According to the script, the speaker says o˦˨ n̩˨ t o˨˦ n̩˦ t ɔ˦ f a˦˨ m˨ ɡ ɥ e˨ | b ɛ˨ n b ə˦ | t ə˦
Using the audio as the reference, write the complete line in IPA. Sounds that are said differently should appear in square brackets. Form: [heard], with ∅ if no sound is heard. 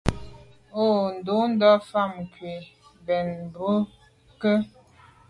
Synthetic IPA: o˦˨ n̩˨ [d] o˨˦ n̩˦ [d] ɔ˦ f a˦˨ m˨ [k] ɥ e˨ | b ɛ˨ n b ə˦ | [k] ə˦